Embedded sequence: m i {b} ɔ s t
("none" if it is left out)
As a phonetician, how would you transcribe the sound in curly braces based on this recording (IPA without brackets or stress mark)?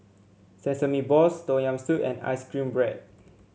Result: b